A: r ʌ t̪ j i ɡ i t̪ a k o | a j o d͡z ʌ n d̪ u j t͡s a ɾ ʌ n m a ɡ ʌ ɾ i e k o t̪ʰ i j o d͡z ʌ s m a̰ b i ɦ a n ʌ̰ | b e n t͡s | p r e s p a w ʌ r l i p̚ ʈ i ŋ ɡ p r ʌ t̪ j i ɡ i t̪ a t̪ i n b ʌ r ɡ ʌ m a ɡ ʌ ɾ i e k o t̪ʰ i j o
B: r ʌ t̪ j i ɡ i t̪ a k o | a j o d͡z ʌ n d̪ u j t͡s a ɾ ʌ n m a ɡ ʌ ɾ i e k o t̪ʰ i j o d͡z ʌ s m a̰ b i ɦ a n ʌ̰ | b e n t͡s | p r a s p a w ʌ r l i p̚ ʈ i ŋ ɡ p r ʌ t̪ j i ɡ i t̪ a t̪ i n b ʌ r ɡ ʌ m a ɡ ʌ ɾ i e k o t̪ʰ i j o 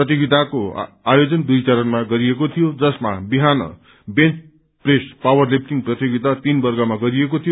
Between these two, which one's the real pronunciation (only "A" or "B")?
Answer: A